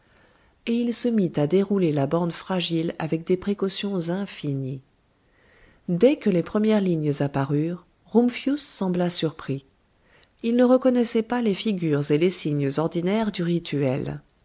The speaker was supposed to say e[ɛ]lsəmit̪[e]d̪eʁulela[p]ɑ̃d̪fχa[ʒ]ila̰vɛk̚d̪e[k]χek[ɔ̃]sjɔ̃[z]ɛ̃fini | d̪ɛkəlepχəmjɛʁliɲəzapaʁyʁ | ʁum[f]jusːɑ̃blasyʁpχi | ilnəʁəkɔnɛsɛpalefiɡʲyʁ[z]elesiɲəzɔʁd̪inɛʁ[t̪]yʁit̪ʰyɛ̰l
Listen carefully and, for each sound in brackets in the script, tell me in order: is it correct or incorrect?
incorrect: i, incorrect: a, incorrect: b, correct, incorrect: p, incorrect: ɔ, correct, correct, correct, incorrect: d̪

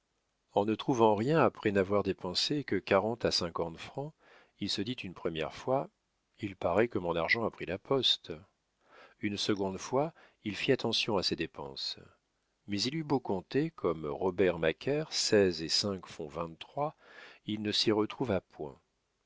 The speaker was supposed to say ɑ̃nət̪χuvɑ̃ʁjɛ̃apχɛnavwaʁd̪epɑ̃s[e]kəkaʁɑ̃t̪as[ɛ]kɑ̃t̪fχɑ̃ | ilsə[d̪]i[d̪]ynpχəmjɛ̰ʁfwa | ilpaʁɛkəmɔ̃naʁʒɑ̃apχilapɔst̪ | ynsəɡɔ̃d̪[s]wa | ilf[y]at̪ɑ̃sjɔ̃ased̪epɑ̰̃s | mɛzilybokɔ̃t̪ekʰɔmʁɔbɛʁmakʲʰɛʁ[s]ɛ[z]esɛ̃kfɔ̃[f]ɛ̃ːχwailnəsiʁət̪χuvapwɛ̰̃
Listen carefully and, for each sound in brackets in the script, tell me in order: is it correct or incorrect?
correct, incorrect: ɛ̃, correct, incorrect: t̪, incorrect: f, incorrect: i, correct, correct, incorrect: v

